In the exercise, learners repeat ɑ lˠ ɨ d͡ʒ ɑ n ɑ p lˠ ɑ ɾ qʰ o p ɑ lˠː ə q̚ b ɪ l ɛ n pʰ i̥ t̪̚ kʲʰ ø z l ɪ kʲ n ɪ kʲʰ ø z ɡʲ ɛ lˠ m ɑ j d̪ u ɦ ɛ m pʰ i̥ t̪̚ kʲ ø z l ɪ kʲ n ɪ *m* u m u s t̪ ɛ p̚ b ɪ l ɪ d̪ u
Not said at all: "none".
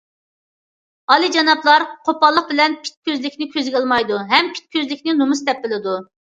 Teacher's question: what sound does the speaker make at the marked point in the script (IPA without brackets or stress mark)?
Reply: n